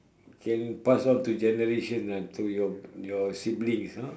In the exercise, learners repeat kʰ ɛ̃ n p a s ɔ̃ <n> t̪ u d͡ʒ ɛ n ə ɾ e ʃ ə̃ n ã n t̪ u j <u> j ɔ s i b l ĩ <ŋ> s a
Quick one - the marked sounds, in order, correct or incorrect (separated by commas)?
correct, incorrect, correct